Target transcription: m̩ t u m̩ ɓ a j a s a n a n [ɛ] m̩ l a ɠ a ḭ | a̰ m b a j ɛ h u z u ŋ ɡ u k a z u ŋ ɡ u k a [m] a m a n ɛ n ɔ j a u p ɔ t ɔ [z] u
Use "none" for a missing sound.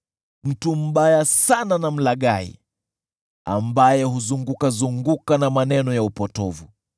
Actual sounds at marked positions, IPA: a, n, v

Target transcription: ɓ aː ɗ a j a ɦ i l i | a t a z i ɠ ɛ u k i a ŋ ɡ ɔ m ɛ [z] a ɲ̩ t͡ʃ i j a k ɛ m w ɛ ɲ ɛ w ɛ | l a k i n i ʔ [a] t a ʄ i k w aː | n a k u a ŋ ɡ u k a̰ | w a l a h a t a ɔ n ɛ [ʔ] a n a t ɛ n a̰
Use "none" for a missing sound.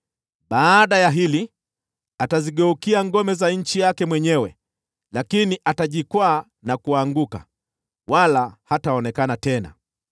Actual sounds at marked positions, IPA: z, a, k

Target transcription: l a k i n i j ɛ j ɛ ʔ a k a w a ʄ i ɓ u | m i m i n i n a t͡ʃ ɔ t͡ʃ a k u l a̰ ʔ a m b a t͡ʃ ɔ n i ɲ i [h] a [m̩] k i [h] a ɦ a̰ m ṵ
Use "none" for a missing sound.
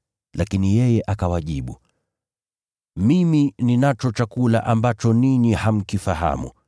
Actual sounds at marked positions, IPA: h, m̩, f

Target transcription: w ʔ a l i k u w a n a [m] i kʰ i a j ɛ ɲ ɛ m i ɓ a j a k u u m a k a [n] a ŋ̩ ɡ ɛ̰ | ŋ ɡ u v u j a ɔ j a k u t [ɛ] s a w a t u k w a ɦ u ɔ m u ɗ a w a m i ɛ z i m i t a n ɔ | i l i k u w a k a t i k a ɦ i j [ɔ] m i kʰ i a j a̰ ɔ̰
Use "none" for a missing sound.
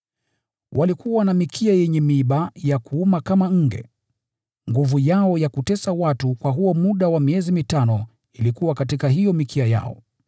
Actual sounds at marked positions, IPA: m, m, ɛ, ɔ

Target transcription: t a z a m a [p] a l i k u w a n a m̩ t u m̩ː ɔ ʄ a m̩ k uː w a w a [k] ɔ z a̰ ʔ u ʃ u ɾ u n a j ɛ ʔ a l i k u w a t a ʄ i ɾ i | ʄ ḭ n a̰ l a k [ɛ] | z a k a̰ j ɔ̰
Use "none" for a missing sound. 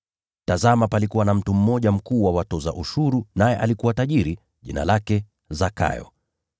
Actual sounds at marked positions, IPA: p, t, ɛ

